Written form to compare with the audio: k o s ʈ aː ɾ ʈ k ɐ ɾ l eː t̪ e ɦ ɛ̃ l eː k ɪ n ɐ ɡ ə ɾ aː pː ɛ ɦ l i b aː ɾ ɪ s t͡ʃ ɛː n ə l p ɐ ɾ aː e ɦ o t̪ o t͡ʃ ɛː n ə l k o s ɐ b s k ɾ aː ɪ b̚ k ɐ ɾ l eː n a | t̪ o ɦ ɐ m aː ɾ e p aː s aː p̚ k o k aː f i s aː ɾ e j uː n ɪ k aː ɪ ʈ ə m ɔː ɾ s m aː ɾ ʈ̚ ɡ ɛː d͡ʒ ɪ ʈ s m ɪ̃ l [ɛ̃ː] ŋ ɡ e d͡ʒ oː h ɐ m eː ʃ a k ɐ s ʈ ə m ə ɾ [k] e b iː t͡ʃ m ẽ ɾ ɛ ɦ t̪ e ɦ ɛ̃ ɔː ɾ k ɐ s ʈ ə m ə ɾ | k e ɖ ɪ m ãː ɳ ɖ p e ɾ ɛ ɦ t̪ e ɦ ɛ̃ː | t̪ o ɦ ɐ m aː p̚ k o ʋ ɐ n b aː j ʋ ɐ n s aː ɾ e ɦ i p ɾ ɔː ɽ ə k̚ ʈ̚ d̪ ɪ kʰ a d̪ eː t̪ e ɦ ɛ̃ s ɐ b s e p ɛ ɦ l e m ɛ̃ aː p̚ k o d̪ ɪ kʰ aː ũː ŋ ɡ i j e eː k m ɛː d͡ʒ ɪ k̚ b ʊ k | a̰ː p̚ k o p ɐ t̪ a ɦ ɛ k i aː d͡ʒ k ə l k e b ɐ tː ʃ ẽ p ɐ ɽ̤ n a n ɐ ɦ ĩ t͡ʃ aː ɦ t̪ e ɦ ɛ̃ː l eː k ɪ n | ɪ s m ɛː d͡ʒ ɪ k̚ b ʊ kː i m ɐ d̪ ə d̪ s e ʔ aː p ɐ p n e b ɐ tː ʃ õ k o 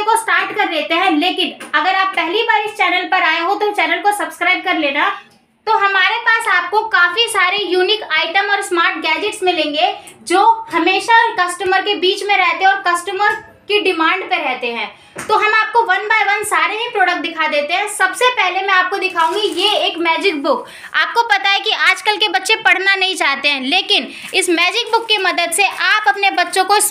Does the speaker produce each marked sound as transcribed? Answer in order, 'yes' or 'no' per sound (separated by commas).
no, yes